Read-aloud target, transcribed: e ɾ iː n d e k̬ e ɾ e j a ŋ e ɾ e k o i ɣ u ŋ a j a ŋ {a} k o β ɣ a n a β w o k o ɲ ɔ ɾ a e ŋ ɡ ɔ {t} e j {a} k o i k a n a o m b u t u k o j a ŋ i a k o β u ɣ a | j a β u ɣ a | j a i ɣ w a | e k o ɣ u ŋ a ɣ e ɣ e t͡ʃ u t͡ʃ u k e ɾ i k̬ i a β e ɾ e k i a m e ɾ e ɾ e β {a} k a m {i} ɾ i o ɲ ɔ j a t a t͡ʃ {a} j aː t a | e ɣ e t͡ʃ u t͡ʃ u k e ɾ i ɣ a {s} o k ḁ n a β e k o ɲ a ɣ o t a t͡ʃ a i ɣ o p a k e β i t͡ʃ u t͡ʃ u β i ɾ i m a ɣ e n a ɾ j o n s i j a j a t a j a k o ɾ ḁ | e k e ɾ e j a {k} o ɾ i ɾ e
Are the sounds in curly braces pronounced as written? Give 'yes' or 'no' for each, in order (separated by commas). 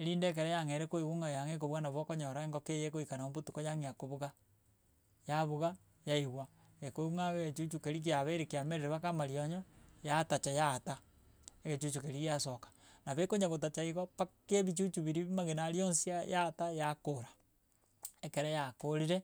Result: no, no, no, yes, no, yes, yes, yes